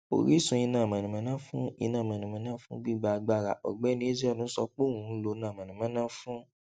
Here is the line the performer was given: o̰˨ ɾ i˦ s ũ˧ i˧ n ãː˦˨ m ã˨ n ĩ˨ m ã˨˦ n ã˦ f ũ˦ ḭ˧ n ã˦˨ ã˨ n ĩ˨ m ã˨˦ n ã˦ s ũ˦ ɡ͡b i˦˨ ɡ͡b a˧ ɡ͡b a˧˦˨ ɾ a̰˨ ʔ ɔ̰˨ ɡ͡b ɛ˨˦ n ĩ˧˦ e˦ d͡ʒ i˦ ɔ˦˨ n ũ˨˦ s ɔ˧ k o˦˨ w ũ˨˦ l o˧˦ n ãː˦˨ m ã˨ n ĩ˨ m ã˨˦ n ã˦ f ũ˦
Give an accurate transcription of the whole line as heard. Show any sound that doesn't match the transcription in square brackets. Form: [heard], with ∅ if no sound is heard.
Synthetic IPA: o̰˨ ɾ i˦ s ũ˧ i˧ n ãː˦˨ m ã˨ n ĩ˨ m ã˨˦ n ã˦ f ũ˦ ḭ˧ n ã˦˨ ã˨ n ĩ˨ m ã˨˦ n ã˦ [f] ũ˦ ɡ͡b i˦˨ ɡ͡b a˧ ɡ͡b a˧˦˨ ɾ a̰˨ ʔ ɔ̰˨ ɡ͡b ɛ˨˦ n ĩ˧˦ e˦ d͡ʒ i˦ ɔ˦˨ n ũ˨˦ s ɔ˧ [k͡p] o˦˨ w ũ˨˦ l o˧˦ n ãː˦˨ m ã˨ n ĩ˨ m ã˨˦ n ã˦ f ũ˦